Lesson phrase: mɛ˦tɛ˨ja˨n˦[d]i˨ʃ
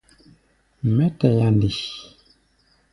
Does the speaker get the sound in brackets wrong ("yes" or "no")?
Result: no